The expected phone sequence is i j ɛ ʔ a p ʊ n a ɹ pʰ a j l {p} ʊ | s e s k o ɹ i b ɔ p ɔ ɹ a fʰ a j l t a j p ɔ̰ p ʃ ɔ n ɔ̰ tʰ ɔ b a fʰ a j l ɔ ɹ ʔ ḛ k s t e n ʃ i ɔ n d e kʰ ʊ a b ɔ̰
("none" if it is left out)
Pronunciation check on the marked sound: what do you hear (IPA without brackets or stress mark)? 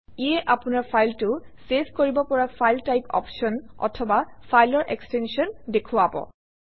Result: t